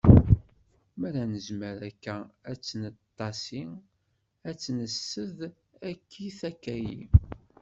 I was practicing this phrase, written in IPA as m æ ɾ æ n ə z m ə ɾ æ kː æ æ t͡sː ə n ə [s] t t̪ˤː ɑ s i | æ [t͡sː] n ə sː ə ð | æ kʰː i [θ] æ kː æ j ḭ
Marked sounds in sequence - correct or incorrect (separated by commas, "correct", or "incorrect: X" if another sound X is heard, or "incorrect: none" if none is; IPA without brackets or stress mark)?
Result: incorrect: none, correct, correct